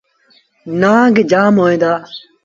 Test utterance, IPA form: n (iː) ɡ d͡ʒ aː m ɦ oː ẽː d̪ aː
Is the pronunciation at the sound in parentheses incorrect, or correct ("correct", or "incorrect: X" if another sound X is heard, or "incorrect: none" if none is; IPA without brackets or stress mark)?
incorrect: aː